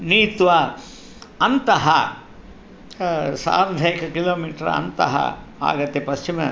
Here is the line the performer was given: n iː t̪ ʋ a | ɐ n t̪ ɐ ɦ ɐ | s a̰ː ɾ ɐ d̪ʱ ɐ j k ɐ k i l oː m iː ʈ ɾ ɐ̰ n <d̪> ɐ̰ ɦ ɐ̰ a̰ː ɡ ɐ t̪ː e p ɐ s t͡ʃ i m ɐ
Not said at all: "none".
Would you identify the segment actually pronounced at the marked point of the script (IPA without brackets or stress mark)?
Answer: t̪